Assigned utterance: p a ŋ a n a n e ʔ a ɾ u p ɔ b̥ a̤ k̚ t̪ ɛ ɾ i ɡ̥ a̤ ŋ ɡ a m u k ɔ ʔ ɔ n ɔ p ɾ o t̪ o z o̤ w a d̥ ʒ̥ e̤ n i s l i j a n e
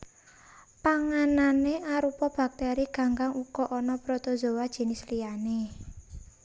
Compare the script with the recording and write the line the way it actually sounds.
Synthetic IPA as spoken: p a ŋ a n a n e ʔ a ɾ u p ɔ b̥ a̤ k̚ t̪ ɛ ɾ i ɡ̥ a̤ ŋ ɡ a ŋ u k ɔ ʔ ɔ n ɔ p ɾ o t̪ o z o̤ w a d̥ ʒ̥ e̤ n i s l i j a n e